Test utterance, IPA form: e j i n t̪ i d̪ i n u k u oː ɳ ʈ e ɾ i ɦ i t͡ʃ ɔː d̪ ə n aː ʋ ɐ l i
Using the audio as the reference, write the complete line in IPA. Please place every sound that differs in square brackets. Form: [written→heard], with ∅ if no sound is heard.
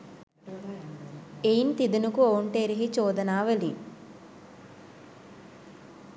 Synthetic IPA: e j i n t̪ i d̪ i n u k u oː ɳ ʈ e ɾ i ɦ i t͡ʃ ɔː d̪ [ə→ɐ] n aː ʋ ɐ l i